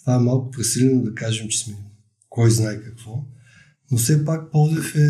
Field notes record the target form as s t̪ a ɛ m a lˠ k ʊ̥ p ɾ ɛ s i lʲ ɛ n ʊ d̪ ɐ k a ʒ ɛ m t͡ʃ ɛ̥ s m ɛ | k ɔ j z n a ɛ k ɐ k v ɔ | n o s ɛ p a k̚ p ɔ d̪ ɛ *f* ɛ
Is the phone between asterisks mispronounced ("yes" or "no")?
no